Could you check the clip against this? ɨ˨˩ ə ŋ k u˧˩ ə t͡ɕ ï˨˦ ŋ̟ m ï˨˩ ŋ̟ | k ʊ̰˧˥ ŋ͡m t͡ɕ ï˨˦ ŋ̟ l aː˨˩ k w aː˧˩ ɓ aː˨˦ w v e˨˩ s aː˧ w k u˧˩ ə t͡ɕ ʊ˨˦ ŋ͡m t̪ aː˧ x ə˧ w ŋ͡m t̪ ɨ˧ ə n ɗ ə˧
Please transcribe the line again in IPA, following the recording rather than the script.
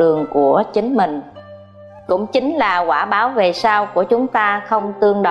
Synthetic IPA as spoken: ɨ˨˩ ə ŋ k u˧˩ ə t͡ɕ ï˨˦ ŋ̟ m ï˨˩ ŋ̟ | k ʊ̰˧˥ ŋ͡m t͡ɕ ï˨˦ ŋ̟ l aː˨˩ k w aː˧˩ ɓ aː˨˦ w v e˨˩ s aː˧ w k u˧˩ ə t͡ɕ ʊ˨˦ ŋ͡m t̪ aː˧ x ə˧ w ŋ͡m t̪ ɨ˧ ə ŋ ɗ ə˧

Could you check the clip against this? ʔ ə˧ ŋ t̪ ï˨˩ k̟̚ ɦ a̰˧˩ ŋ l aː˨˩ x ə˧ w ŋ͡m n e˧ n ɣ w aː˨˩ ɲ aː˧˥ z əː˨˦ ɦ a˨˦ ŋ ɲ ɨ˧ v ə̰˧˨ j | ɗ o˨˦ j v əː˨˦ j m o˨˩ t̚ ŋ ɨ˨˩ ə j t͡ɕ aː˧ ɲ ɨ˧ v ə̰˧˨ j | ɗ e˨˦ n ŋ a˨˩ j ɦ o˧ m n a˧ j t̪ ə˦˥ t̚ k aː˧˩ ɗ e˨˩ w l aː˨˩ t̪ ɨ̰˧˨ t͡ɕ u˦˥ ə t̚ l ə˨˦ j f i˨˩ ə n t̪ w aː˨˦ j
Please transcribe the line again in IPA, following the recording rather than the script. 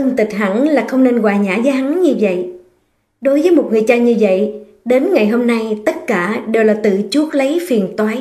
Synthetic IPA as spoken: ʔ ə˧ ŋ t̪ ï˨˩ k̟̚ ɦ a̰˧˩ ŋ l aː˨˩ x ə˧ w ŋ͡m n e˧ n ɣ w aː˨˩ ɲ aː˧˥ z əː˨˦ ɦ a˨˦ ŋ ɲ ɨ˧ v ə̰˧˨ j | ɗ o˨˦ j v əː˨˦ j m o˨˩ t̚ ŋ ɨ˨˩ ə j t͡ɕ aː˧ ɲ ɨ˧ v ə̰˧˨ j | ɗ e˨˦ n ŋ a˨˩ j ɦ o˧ m n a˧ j t̪ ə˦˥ t̚ k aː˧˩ ɗ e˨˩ w l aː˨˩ t̪ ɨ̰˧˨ t͡ɕ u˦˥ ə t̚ l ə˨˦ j f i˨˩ ə n t̪ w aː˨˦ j

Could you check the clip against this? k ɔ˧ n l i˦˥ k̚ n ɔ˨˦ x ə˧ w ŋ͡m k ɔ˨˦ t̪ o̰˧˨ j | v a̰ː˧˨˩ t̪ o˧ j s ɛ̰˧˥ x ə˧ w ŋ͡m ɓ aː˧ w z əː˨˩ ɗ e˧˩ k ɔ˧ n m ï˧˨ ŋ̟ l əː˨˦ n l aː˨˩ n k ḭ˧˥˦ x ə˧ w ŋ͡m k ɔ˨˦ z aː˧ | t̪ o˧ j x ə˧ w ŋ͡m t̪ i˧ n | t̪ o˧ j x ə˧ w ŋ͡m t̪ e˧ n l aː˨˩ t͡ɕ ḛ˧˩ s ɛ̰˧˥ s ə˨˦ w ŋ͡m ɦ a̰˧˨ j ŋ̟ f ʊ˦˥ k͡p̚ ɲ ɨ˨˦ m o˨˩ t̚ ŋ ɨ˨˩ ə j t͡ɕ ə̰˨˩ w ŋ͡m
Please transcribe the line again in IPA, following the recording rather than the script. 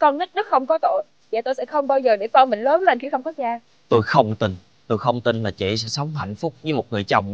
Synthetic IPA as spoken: k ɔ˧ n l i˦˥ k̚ n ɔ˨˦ x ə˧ w ŋ͡m k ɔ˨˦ t̪ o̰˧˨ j | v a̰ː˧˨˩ t̪ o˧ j s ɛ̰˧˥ x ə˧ w ŋ͡m ɓ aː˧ w z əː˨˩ ɗ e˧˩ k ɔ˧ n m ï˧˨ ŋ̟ l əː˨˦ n l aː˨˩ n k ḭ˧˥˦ x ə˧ w ŋ͡m k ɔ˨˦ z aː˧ | t̪ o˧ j x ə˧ w ŋ͡m t̪ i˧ n | t̪ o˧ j x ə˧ w ŋ͡m t̪ i˧ n l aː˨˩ t͡ɕ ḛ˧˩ s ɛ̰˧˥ s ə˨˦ w ŋ͡m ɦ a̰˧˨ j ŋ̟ f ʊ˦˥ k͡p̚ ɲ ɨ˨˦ m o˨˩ t̚ ŋ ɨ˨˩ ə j t͡ɕ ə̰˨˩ w ŋ͡m

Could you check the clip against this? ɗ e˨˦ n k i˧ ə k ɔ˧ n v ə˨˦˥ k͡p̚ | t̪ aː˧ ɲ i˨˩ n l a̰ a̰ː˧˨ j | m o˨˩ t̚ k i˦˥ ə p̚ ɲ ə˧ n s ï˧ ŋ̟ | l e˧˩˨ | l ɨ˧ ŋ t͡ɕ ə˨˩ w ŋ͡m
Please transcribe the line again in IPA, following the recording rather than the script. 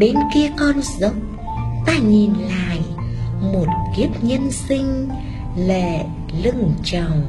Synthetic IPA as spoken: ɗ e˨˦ n k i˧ ə k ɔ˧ n z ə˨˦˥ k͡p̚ | t̪ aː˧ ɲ i˨˩ n l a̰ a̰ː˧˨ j | m o˨˩ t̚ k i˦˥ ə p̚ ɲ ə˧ n s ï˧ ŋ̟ | l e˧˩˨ | l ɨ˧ ŋ t͡ɕ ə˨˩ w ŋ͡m

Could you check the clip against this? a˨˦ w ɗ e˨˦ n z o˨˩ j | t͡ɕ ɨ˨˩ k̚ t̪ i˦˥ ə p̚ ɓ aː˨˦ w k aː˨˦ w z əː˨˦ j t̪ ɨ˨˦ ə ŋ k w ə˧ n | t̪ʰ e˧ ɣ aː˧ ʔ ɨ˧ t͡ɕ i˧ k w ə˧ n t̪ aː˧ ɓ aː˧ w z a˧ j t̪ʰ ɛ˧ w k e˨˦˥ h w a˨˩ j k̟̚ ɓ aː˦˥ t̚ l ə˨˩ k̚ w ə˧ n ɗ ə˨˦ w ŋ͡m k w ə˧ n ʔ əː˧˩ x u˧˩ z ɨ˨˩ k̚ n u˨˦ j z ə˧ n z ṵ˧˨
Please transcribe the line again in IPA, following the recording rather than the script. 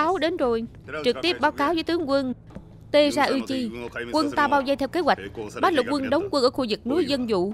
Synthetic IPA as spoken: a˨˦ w ɗ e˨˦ n z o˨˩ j | t͡ɕ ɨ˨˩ k̚ t̪ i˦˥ ə p̚ ɓ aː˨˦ w k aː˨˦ w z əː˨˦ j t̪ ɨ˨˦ ə ŋ k w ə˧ n | t̪ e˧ z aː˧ ʔ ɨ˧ t͡ɕ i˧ k w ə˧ n t̪ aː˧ ɓ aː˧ w z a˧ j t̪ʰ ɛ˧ w k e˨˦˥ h w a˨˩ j k̟̚ ɓ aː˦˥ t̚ l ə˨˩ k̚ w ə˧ n ɗ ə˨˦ w ŋ͡m k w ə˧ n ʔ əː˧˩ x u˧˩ z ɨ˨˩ k̚ n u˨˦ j z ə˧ n z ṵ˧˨

